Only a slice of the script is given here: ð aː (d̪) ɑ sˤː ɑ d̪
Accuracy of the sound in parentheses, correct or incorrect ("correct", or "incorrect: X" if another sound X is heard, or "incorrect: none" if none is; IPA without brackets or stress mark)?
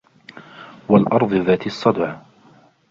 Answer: incorrect: t̪